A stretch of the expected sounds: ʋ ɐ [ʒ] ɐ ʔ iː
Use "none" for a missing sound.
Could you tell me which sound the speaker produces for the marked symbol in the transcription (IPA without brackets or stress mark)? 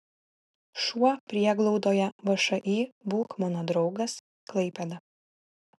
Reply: ʃ